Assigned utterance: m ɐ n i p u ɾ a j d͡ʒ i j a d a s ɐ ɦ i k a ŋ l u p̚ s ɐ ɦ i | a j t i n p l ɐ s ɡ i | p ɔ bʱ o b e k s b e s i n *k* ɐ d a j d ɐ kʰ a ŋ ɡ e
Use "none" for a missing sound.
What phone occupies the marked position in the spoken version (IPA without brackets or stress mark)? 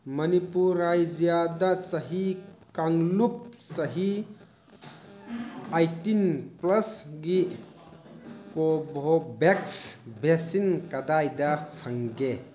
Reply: k